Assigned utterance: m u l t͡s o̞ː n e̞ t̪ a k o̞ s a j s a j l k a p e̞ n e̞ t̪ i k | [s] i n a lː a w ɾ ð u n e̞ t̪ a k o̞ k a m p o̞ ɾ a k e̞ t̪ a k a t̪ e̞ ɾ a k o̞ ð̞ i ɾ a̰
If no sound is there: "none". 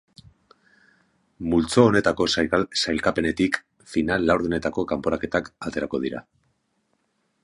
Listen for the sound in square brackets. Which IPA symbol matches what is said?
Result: f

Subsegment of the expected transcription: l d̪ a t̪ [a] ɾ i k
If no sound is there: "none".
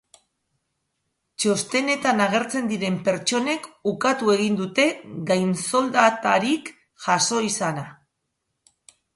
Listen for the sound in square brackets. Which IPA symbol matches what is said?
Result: a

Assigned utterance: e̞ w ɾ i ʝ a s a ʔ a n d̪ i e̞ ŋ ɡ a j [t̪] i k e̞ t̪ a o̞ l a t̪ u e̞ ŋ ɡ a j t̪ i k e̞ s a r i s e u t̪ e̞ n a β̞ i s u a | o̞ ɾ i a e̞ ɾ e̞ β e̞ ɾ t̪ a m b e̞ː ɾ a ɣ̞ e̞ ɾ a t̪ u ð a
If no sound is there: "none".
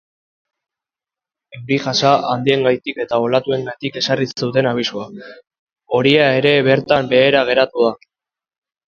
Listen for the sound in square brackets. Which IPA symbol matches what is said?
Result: t̪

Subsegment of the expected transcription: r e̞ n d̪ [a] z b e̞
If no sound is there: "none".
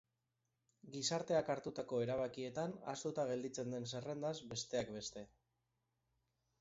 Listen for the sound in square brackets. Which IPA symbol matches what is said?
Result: a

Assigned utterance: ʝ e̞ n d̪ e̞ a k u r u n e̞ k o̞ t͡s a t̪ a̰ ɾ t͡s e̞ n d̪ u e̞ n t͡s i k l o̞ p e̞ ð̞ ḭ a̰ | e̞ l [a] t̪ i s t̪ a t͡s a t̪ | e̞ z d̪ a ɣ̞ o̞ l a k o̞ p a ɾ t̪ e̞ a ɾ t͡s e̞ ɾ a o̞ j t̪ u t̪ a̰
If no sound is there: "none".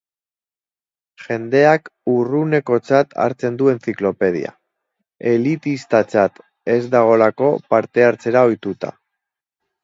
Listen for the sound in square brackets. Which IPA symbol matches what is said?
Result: i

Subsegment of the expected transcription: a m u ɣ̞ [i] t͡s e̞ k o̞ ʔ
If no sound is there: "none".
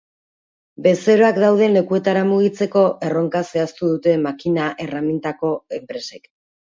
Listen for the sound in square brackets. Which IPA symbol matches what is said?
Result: i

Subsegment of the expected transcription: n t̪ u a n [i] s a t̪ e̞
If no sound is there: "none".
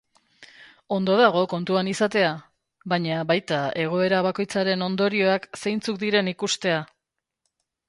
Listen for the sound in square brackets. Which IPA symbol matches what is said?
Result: i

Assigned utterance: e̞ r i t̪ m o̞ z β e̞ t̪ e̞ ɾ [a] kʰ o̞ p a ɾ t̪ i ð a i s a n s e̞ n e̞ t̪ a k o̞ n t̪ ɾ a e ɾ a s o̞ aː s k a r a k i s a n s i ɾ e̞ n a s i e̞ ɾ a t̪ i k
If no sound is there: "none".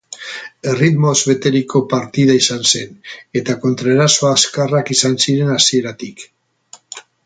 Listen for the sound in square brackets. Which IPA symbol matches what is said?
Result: i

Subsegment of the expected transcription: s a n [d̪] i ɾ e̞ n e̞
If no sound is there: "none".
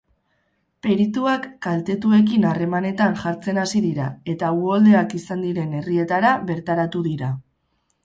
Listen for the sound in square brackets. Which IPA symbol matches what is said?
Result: d̪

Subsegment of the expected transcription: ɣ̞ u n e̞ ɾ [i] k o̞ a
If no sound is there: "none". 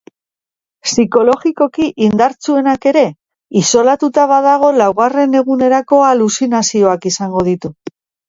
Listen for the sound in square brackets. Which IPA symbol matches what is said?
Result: a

